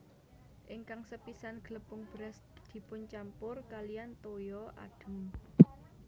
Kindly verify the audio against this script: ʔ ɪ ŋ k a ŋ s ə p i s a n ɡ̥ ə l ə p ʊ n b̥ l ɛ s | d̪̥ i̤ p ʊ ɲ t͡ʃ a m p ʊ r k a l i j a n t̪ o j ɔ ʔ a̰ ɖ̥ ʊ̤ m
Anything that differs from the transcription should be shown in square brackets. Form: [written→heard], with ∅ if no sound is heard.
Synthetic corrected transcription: ʔ ɪ ŋ k a ŋ s ə p i s a n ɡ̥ ə l ə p ʊ [n→ŋ] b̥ [l→ɾ] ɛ s | d̪̥ i̤ p ʊ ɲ t͡ʃ a m p ʊ r k a l i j a n t̪ o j ɔ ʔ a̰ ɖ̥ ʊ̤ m